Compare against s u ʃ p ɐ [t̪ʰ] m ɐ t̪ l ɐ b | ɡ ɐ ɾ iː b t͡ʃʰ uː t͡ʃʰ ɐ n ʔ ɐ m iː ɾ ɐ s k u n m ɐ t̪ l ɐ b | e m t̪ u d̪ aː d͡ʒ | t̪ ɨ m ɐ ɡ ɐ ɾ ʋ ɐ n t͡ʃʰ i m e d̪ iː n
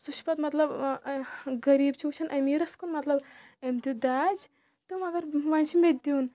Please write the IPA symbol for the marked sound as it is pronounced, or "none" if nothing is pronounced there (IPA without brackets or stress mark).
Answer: t̪